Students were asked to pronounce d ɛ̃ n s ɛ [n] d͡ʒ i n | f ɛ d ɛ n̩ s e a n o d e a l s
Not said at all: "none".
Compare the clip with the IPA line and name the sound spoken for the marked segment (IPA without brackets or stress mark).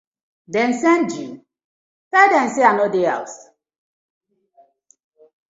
n